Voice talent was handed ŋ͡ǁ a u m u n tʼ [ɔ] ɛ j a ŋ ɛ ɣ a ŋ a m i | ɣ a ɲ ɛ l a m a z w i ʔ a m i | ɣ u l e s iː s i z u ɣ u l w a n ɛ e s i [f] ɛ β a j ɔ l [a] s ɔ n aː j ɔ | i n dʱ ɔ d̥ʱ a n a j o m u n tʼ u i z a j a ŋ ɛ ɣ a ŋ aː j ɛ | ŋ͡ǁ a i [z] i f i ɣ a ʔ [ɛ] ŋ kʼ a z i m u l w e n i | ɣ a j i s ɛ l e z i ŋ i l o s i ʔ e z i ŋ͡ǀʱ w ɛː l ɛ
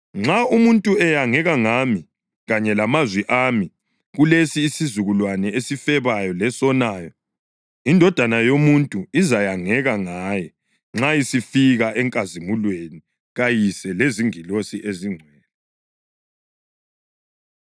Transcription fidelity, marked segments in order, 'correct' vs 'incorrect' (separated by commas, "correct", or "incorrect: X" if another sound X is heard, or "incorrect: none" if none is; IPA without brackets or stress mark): incorrect: u, correct, incorrect: ɛ, incorrect: s, correct